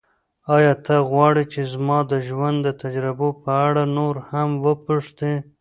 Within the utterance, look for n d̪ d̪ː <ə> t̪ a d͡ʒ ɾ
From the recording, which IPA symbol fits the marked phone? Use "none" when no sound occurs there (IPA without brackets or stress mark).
ə